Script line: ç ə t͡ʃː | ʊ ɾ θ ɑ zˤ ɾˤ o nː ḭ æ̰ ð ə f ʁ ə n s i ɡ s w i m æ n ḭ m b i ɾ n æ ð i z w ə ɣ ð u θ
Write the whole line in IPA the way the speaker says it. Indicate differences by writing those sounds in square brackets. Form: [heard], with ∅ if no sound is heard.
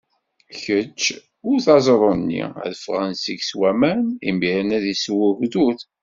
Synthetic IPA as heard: ç ə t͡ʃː | ʊ ɾ θ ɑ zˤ ɾˤ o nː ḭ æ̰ ð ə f ʁ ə n s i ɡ s w [æ] m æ n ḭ m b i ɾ n æ ð i [s] w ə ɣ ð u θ